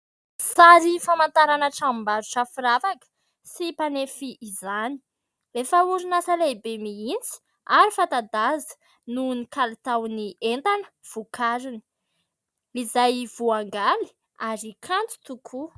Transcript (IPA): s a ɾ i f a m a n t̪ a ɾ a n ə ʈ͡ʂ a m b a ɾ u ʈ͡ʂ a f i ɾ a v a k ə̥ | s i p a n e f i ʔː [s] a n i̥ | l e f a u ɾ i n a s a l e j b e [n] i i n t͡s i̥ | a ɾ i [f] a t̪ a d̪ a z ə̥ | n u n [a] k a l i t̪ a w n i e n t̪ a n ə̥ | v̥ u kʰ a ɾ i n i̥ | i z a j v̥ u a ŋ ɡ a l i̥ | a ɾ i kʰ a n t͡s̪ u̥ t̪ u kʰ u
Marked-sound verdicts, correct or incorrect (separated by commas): incorrect, incorrect, correct, incorrect